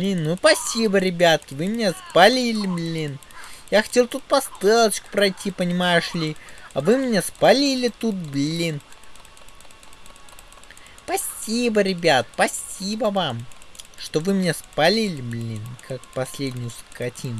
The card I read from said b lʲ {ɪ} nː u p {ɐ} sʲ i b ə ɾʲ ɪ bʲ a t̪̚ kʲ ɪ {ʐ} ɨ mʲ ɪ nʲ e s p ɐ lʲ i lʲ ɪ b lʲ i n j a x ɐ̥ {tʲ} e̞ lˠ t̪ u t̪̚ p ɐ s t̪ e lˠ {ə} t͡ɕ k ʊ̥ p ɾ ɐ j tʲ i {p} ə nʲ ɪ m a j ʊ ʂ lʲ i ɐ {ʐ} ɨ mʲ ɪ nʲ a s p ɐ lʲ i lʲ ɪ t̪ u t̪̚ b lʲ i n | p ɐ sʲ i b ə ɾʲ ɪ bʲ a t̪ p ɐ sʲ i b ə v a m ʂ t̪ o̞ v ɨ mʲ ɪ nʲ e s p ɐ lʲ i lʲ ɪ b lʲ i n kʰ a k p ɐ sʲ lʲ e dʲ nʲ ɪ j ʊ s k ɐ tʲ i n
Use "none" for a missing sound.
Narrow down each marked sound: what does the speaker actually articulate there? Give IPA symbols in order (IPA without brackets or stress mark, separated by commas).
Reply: i, ɐ, v, tʲ, ə, p, v